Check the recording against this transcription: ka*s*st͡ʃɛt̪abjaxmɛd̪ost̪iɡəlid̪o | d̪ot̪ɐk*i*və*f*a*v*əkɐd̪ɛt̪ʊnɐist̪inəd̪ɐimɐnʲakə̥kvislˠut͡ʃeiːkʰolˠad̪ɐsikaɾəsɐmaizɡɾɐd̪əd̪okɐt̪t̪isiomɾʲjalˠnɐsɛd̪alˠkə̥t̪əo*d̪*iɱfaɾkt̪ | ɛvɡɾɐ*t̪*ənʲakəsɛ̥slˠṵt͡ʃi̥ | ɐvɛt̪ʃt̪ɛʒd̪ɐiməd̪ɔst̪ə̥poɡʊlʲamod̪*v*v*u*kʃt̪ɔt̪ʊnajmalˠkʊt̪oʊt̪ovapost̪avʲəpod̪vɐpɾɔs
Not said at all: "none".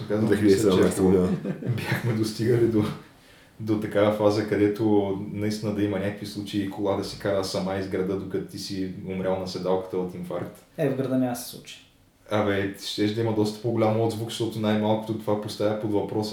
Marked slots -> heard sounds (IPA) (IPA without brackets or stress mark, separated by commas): z, a, f, z, t̪, d̪, z, u